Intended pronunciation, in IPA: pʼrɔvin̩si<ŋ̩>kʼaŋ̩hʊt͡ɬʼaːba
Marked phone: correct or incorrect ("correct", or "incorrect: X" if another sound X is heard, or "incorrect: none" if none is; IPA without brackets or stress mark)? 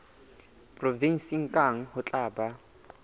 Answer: correct